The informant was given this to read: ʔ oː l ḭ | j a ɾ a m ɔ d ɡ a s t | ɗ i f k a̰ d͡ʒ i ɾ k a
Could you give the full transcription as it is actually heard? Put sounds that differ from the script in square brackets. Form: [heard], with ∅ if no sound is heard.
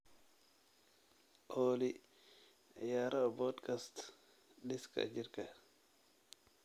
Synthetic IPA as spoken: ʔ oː l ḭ | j a ɾ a [b] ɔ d [k] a s t | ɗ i [s] k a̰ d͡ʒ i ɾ k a